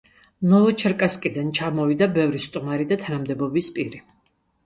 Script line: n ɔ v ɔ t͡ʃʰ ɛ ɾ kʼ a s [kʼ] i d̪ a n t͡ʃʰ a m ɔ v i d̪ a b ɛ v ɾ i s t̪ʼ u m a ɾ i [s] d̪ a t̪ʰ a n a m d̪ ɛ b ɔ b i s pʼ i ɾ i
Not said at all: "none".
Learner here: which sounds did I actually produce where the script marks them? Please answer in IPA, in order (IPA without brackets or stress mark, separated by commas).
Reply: kʼ, none